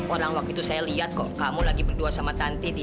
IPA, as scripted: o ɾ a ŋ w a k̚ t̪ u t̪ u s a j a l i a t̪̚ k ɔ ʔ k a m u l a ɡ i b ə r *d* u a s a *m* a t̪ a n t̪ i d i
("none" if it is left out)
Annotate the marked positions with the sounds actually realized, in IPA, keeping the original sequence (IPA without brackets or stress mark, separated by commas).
d, m